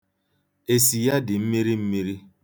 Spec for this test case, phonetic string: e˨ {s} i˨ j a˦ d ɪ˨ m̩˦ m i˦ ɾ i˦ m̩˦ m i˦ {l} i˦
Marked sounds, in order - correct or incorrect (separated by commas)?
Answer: correct, incorrect